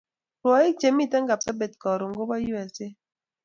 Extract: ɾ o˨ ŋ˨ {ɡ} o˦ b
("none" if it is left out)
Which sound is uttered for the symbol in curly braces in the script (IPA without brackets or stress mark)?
ɡ